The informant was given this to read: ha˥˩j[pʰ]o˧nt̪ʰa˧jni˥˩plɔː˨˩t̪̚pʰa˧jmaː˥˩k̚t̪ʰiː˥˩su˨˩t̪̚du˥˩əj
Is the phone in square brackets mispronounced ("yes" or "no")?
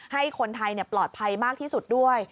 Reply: yes